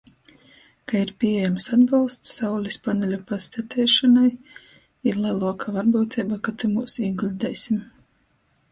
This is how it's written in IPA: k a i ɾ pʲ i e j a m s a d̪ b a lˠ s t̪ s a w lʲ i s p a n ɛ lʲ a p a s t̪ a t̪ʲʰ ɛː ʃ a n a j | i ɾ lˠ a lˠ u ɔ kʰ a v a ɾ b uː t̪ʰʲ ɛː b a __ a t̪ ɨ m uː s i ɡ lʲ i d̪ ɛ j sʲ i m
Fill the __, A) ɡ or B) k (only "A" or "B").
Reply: B